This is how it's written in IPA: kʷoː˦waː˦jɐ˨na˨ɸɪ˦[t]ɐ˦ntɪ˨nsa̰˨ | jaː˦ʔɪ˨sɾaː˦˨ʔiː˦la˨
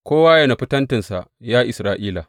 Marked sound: correct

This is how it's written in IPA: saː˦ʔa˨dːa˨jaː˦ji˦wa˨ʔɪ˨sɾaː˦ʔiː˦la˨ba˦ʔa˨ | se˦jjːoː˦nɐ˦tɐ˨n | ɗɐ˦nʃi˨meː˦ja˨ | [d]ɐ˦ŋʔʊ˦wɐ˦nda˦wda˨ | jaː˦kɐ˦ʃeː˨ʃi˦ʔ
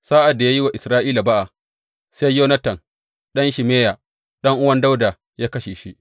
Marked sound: incorrect: ɗ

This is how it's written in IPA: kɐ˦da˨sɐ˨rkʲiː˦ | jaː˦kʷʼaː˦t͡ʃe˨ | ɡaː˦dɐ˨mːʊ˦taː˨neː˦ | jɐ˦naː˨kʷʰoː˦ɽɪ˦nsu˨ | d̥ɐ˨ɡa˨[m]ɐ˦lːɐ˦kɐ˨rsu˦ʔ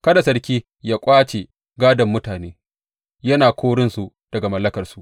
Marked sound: correct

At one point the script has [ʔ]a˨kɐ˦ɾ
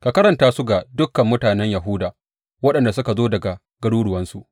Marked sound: incorrect: k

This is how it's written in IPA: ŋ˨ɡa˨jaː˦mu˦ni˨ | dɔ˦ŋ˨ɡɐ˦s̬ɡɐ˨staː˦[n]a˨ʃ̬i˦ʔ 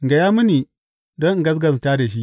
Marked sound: incorrect: d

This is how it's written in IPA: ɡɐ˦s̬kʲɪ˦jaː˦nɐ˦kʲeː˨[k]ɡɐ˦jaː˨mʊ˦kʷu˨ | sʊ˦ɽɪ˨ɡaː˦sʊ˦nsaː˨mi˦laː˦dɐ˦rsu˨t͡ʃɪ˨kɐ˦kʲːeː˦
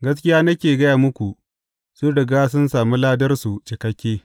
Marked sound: incorrect: none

